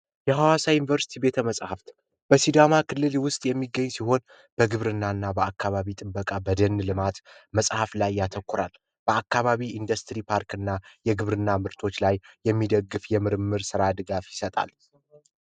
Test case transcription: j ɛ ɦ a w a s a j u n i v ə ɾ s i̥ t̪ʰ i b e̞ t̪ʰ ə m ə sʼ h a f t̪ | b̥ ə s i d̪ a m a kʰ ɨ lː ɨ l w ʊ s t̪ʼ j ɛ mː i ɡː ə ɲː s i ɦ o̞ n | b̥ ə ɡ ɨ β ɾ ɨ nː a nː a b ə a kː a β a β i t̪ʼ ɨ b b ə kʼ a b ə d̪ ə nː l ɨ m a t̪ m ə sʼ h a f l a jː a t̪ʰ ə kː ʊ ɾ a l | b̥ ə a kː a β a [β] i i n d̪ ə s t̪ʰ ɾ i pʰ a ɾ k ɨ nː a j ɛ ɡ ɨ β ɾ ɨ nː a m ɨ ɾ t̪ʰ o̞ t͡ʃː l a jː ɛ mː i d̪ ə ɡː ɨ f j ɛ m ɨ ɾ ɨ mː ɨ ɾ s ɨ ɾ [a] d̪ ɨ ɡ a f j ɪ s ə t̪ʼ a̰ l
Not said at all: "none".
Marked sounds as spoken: β, a

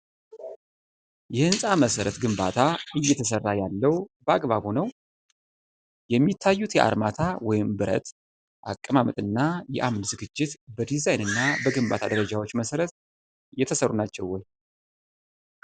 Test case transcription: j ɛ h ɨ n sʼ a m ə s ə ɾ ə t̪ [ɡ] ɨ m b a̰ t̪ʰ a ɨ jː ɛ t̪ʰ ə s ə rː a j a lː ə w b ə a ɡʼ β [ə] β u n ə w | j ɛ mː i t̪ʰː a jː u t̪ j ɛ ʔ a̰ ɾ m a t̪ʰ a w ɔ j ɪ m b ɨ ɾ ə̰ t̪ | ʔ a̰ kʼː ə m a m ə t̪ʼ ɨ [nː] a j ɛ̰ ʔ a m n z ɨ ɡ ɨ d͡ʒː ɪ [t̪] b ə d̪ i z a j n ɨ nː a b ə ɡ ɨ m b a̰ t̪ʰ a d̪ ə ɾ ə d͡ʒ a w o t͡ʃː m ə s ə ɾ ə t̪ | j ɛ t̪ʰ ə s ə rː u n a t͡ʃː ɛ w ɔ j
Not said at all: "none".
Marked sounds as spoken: ɡ, a, nː, t̪

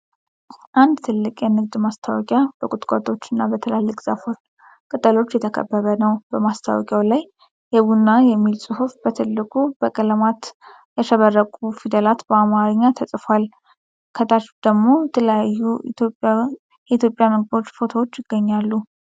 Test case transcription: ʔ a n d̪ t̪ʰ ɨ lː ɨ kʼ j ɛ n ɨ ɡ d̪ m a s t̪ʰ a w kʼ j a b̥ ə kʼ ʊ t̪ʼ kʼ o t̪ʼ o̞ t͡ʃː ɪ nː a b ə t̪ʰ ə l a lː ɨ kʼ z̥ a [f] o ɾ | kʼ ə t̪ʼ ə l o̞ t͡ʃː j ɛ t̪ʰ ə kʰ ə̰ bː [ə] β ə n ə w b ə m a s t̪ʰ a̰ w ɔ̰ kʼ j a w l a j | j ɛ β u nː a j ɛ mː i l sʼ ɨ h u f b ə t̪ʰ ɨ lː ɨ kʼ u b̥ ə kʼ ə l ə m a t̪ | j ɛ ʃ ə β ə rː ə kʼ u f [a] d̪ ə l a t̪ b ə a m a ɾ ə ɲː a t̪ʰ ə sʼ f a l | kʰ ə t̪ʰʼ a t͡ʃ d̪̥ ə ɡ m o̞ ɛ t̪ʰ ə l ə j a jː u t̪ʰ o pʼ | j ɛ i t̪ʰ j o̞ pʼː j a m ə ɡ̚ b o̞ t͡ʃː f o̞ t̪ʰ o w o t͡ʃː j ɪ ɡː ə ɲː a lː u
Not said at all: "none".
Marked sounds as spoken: f, ə, i

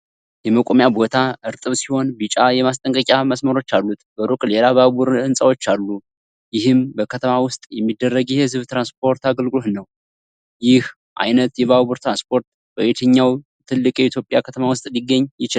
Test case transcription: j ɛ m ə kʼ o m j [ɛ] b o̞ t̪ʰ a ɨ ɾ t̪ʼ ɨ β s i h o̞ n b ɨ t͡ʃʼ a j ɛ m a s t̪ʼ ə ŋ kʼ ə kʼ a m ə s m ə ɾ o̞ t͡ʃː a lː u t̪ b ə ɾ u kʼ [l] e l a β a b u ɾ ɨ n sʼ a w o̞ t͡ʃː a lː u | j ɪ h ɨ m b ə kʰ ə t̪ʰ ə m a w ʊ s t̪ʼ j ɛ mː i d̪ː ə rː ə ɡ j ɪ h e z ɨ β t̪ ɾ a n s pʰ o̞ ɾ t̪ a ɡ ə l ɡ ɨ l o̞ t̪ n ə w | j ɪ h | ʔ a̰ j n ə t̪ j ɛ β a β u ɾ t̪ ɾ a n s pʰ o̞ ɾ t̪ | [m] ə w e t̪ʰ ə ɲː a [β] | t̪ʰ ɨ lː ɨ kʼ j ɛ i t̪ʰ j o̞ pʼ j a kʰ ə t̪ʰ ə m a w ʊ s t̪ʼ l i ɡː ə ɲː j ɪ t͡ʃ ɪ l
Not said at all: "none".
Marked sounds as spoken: a, l, b, w

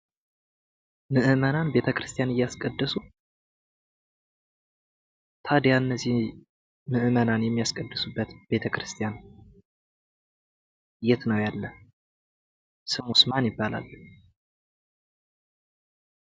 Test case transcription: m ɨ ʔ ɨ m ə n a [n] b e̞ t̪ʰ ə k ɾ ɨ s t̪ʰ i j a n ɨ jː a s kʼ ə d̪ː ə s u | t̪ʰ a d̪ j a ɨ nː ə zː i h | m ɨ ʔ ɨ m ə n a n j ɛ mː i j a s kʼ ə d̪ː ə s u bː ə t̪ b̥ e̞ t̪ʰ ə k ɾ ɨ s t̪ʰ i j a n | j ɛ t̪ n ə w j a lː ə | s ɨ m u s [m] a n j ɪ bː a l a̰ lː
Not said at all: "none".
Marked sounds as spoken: n, m

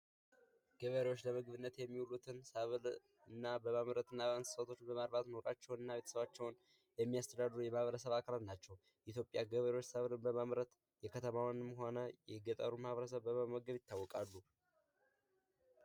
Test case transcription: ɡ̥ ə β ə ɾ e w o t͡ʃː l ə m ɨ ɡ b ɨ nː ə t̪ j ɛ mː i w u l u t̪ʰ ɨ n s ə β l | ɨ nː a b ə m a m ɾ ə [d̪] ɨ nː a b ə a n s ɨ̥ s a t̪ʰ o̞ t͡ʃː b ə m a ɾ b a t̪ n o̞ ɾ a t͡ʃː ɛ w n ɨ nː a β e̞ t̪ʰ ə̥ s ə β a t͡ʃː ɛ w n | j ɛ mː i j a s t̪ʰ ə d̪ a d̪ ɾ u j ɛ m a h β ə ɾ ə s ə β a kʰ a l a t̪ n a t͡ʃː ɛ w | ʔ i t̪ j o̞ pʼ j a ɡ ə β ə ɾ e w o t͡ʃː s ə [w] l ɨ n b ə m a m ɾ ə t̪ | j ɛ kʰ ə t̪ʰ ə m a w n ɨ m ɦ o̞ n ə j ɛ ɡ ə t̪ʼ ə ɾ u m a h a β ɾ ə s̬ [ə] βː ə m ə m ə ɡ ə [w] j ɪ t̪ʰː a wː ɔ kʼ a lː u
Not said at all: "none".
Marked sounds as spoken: t̪, β, ə, β

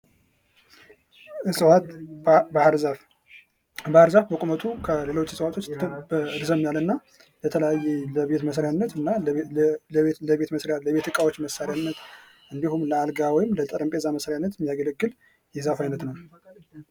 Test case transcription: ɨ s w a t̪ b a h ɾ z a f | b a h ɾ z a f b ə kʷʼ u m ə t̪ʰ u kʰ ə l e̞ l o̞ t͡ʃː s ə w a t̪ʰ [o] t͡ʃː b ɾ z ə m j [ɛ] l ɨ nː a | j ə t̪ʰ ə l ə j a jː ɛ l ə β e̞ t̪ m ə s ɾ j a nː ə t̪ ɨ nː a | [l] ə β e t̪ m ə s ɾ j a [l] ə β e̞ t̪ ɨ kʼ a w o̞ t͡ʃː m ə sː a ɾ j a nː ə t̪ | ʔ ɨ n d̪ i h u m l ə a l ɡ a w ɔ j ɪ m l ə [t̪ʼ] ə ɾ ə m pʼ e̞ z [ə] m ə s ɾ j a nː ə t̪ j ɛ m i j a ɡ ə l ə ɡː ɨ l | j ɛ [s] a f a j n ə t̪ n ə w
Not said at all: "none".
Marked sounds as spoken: o, a, l, l, t̪ʼ, a, z

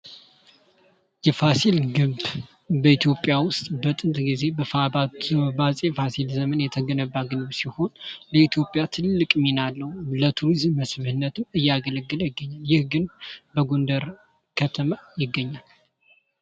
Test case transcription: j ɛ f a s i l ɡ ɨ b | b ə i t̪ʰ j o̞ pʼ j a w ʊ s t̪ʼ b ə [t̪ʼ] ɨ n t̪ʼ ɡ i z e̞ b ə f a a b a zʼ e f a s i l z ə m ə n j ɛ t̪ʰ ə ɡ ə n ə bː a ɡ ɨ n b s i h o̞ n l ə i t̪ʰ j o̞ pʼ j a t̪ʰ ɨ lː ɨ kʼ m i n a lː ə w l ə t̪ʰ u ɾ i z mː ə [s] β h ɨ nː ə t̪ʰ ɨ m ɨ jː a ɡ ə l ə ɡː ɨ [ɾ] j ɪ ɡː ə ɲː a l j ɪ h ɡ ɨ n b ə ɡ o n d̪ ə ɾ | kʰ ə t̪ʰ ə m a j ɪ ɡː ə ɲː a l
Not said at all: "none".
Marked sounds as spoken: t̪ʼ, s, l

